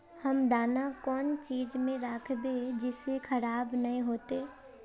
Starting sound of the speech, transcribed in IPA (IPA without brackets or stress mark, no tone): h